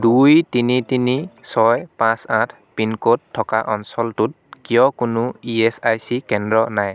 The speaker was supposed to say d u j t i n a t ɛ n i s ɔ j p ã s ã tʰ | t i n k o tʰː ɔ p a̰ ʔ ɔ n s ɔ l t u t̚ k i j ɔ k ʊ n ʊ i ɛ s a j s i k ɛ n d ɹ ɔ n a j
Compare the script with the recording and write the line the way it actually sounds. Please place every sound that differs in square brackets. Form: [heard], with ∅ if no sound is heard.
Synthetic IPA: d u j t i n [i] t [i] n i s ɔ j p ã s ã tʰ | [p] i n k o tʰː ɔ [k] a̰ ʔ ɔ n s ɔ l t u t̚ k i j ɔ k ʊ n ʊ i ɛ s a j s i k ɛ n d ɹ ɔ n a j